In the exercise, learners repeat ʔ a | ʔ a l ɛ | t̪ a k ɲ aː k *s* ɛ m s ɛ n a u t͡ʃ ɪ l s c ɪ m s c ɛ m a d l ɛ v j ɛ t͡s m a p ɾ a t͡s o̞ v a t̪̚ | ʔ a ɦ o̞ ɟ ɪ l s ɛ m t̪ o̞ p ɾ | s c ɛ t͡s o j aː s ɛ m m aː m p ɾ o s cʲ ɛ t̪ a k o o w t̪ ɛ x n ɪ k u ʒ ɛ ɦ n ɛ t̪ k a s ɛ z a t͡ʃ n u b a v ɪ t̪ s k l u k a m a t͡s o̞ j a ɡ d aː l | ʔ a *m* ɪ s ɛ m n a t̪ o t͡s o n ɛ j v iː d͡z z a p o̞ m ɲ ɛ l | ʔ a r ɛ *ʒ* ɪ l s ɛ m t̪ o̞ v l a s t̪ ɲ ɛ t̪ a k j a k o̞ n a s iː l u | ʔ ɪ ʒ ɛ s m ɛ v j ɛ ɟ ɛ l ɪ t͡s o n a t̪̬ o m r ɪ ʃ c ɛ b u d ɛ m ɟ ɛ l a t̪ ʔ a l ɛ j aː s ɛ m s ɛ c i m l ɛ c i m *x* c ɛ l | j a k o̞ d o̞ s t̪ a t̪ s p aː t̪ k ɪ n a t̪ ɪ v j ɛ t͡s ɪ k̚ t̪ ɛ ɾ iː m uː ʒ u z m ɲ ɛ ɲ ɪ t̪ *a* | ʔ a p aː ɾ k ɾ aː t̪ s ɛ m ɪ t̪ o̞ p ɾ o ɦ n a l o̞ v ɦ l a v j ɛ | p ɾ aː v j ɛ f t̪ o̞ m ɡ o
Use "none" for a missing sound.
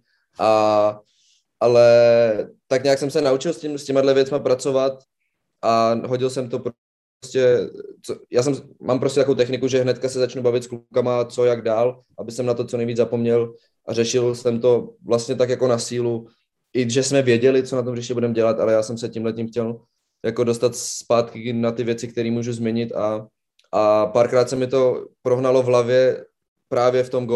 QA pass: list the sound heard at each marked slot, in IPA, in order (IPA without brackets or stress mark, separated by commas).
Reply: s, b, ʃ, x, a